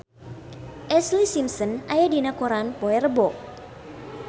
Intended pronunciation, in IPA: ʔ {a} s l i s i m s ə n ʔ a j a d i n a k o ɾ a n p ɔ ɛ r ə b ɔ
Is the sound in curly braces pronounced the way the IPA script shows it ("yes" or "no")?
no